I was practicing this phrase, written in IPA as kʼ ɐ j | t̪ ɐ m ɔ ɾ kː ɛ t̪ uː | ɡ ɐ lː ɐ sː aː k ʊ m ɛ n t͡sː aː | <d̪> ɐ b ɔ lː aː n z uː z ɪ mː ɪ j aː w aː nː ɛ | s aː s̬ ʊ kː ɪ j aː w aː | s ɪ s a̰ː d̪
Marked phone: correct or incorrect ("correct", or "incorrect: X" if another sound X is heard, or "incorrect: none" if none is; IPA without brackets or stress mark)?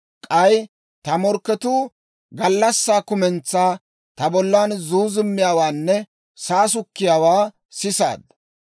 incorrect: t̪